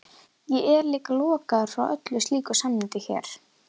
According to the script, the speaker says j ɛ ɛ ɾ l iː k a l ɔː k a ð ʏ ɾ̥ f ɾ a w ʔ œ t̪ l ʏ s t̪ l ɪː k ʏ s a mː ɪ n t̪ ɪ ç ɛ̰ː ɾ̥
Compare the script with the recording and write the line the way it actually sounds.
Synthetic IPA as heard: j ɛ ɛ ɾ l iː k a l ɔː k a ð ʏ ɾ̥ f ɾ a w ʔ œ t̪ l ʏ s t̪ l iː k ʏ s a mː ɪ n t̪ ɪ ç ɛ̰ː ɾ̥